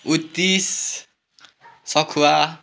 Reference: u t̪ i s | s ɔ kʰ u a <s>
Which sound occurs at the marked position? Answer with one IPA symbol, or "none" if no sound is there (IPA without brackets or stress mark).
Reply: none